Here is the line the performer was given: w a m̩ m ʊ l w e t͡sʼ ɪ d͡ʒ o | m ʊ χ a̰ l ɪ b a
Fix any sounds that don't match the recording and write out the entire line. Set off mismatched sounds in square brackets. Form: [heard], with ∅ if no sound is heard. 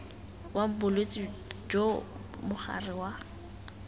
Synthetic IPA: w a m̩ [b] ʊ l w e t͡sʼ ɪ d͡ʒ o | m ʊ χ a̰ [r] ɪ [w] a